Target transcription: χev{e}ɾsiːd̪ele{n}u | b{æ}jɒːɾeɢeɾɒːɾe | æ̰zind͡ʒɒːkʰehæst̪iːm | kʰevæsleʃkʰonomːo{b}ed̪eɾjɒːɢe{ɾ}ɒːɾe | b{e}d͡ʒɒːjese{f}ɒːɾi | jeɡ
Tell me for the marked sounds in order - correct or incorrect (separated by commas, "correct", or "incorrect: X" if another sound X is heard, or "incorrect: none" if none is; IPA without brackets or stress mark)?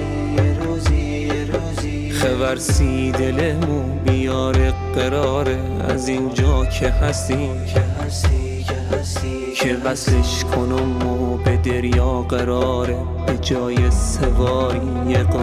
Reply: incorrect: æ, incorrect: m, incorrect: i, correct, correct, correct, incorrect: v